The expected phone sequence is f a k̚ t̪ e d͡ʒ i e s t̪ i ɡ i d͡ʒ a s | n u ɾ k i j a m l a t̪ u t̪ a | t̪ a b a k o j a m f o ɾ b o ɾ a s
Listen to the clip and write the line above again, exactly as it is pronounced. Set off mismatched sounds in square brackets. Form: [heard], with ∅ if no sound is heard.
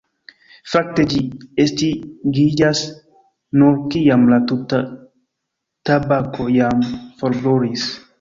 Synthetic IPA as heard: f a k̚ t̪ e d͡ʒ i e s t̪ i ɡ i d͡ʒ a s | n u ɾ k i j a m l a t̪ u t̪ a | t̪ a b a k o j a m f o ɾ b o ɾ [i] s